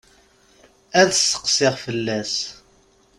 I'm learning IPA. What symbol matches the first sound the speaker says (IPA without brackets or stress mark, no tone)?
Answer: æ